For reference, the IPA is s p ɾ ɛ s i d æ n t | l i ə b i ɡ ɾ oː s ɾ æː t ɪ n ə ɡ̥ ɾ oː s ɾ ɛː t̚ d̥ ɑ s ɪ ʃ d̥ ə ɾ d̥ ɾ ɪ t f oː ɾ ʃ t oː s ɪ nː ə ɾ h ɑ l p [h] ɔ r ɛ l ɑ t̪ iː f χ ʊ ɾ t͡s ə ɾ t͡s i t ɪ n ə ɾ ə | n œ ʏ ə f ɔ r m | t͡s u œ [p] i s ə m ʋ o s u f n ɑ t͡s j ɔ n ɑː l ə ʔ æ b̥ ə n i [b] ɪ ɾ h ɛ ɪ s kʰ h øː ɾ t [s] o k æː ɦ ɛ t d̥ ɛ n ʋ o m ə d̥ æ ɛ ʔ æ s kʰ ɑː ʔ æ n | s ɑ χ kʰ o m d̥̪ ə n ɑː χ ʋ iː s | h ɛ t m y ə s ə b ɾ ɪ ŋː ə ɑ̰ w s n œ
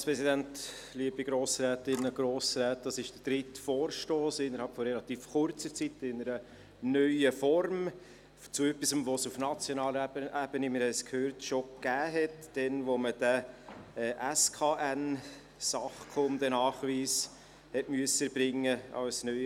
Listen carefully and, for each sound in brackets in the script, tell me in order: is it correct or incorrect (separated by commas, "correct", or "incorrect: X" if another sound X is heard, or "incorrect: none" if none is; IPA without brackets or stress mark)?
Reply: incorrect: f, correct, incorrect: m, incorrect: ʃ